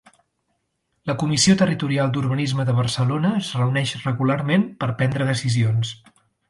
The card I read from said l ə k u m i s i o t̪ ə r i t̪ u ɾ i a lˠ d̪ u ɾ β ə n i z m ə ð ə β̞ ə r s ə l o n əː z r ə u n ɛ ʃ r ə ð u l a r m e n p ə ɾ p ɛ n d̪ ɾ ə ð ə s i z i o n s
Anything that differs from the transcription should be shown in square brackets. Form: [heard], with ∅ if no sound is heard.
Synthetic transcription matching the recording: l ə k u m i s i o t̪ ə r i t̪ u ɾ i a lˠ d̪ u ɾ β ə n i z m ə ð ə β̞ ə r s ə l o n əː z r ə u n ɛ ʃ r ə [ɣ] u l a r m e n p ə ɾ p ɛ n d̪ ɾ ə ð ə s i z i o n s